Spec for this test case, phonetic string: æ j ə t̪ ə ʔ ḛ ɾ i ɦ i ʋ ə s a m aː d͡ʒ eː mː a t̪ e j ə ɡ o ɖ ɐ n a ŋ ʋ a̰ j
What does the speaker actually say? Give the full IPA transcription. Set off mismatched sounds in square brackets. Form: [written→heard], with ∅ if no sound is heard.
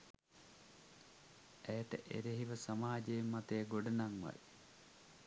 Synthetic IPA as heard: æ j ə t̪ ə ʔ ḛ ɾ [i→e] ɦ i ʋ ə s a m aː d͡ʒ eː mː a t̪ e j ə ɡ o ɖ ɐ n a ŋ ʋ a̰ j